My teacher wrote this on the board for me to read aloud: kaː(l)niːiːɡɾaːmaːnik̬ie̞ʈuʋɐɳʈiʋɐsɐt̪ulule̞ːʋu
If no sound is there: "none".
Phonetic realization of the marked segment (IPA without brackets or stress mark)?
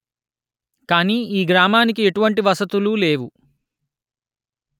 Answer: none